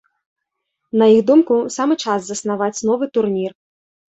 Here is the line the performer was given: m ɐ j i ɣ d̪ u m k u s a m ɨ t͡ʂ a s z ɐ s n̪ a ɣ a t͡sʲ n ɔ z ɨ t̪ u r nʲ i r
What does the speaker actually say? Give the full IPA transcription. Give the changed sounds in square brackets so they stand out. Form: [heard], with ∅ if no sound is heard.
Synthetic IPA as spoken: [n] ɐ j i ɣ d̪ u m k u s a m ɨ t͡ʂ a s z ɐ s n̪ a [v] a t͡sʲ n ɔ [v] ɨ t̪ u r nʲ i r